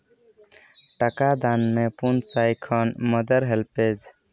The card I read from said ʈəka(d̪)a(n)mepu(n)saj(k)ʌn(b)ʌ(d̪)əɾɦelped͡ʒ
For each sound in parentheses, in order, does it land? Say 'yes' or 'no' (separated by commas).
yes, yes, yes, no, no, yes